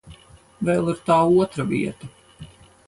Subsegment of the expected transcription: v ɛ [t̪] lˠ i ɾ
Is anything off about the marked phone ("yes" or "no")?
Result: yes